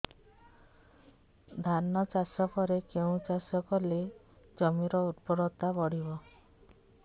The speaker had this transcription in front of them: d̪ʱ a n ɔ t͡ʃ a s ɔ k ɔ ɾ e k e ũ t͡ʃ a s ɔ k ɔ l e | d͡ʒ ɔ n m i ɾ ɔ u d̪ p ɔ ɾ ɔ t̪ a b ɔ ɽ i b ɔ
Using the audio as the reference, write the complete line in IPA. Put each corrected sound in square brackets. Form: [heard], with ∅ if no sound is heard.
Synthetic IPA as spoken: d̪ʱ a n ɔ t͡ʃ a s ɔ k ɔ ɾ e k e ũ t͡ʃ a s ɔ k ɔ l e | d͡ʒ ɔ [∅] m i ɾ ɔ u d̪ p ɔ ɾ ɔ t̪ a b ɔ ɽ i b ɔ